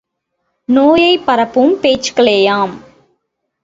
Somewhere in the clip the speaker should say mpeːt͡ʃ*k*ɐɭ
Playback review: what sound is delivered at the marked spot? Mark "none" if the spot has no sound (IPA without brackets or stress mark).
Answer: k